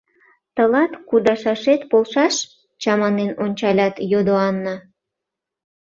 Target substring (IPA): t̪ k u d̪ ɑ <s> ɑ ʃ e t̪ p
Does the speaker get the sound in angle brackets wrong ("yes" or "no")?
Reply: yes